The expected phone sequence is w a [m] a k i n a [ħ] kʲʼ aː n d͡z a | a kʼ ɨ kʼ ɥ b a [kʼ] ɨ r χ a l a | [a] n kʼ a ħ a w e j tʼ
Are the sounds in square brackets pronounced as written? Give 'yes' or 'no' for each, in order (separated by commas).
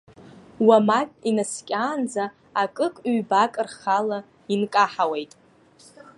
yes, no, yes, no